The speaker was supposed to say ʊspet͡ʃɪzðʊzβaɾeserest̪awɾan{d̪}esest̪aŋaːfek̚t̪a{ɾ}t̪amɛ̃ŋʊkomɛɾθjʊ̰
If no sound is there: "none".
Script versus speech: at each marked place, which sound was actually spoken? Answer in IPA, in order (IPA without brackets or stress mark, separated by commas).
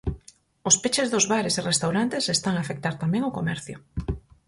t̪, ɾ